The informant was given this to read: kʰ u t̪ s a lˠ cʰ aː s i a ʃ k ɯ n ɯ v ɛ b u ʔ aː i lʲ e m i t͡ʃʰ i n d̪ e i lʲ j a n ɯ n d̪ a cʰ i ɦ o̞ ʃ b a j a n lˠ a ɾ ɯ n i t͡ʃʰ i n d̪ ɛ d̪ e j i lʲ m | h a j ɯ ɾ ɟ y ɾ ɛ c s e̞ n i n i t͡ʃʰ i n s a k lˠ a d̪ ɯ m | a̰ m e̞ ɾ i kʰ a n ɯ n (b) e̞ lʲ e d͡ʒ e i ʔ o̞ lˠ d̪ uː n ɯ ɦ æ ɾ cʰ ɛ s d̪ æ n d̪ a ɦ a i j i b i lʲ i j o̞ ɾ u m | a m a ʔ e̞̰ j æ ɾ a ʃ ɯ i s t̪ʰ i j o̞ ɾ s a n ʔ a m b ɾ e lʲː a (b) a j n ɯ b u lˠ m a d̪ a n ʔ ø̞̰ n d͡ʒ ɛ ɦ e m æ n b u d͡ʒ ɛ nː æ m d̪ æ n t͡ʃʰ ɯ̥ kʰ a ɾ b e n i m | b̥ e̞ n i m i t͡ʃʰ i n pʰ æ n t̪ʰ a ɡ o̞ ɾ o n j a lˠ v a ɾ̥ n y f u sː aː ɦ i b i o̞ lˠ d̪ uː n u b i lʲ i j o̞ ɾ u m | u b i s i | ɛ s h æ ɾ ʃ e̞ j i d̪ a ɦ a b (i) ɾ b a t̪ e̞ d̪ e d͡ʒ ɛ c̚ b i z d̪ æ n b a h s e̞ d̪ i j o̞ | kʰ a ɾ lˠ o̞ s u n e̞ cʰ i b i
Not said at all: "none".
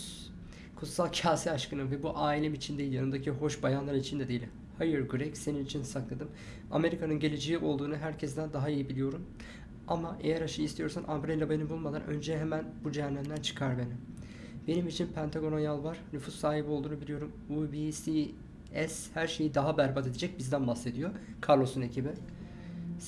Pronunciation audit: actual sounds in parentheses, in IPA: ɟ, b, æ

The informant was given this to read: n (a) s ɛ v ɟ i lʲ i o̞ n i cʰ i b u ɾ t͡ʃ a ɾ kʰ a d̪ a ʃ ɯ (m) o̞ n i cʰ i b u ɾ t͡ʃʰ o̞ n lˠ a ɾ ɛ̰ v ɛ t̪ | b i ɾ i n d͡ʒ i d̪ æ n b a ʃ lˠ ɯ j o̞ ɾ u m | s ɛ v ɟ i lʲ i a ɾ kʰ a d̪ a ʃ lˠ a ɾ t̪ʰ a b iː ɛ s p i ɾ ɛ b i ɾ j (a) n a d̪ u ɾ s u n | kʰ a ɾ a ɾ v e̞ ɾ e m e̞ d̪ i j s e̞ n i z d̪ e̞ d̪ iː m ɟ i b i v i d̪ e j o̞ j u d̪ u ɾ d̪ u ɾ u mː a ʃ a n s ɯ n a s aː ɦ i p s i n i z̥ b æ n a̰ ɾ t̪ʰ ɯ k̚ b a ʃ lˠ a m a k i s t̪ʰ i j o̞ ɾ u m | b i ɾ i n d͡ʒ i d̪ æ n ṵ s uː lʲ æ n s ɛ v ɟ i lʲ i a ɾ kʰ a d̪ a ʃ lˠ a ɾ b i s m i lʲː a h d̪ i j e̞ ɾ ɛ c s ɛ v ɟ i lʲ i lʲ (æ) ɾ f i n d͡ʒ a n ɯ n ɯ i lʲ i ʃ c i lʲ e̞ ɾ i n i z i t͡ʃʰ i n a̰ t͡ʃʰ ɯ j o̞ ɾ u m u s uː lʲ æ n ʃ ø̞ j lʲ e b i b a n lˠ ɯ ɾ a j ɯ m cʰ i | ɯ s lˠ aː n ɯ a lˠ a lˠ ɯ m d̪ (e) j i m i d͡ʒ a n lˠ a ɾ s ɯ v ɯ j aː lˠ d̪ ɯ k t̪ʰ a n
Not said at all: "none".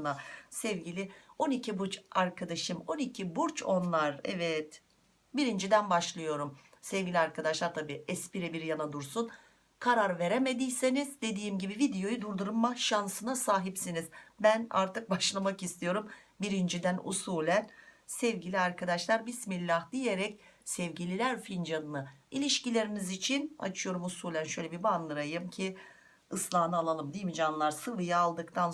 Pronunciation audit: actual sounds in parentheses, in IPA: a, m, a, æ, i

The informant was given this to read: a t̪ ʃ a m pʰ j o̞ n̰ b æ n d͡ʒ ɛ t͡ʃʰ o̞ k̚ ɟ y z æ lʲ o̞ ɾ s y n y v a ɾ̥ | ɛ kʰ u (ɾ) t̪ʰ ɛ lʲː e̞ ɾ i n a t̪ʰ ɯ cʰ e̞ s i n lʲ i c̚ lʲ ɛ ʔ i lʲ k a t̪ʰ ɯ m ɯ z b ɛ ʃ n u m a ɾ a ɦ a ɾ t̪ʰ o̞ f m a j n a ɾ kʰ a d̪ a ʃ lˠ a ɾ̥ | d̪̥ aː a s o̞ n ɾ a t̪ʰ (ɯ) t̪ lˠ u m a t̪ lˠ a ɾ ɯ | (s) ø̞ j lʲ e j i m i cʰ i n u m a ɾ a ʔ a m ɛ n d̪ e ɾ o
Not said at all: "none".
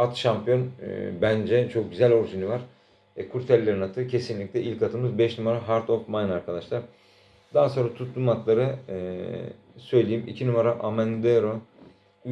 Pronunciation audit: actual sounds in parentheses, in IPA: ɾ, u, s

